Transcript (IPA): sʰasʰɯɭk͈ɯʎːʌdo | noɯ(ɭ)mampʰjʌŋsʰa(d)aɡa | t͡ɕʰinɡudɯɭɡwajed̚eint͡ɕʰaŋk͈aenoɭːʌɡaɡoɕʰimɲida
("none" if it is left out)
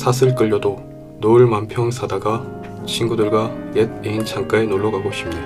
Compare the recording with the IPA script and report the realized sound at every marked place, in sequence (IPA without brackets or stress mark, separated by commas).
ɭ, d